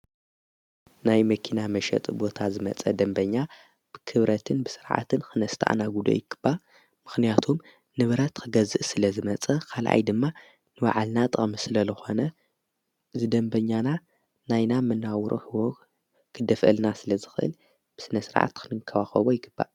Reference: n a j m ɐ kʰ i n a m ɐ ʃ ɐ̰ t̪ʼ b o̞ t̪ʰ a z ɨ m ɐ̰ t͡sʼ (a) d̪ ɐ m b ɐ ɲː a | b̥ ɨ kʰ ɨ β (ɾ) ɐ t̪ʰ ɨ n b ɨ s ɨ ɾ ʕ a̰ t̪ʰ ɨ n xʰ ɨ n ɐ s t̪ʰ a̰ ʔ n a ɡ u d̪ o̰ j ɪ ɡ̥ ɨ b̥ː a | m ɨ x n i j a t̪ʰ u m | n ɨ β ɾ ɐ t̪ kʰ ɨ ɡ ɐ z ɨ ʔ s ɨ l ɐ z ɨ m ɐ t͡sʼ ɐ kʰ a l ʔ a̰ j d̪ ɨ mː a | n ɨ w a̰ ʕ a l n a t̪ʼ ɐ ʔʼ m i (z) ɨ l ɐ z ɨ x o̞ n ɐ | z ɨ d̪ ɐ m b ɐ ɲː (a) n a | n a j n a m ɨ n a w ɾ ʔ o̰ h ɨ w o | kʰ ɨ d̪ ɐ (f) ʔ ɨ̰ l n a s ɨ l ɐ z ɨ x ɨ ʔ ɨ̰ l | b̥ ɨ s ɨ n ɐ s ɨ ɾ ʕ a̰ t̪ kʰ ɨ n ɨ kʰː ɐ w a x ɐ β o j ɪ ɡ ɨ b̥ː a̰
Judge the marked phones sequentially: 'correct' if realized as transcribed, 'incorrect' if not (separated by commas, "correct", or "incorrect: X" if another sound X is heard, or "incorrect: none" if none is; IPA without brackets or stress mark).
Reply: incorrect: ɐ, correct, incorrect: s, correct, correct